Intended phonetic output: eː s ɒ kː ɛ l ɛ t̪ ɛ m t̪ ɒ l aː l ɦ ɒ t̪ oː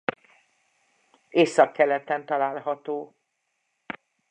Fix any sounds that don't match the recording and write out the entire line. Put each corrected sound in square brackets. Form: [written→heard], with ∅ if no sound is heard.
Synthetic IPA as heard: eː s ɒ kː ɛ l ɛ t̪ ɛ [m→n] t̪ ɒ l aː l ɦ ɒ t̪ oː